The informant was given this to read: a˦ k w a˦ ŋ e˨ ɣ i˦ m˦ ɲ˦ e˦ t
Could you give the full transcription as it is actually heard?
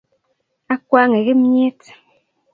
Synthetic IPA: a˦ k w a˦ ŋ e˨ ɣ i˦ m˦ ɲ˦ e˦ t